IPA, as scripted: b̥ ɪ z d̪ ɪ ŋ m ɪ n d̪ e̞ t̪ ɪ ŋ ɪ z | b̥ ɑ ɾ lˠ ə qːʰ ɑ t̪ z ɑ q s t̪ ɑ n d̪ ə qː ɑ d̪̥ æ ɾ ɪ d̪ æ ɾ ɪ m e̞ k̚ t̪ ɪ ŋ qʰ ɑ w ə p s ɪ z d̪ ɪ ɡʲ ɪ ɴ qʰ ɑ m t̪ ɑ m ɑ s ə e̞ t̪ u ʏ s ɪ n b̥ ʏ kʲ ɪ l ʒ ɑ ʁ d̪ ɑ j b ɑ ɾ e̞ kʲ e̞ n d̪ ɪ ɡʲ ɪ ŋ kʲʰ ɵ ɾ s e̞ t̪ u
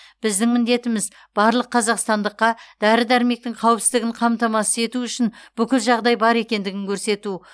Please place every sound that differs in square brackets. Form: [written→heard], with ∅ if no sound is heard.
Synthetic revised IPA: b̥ ɪ z d̪ ɪ ŋ m ɪ n d̪ e̞ t̪ ɪ [ŋ→m] ɪ z | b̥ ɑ ɾ lˠ ə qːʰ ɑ [t̪→∅] z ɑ q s t̪ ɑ n d̪ ə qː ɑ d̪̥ æ ɾ ɪ d̪ æ ɾ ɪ m e̞ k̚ t̪ ɪ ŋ qʰ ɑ w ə p s ɪ z d̪ ɪ ɡʲ ɪ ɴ qʰ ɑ m t̪ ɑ m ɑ s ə e̞ t̪ u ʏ [s→ʃ] ɪ n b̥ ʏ kʲ ɪ l ʒ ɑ ʁ d̪ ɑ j b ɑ ɾ e̞ kʲ e̞ n d̪ ɪ ɡʲ ɪ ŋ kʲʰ ɵ ɾ s e̞ t̪ u